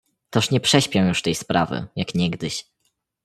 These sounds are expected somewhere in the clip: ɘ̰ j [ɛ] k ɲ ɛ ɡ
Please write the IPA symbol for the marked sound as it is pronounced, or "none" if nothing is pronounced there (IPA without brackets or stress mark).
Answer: a